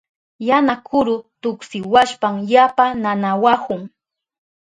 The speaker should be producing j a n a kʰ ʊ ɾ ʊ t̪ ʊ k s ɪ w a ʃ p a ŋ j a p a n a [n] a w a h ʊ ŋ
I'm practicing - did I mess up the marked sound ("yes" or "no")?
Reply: no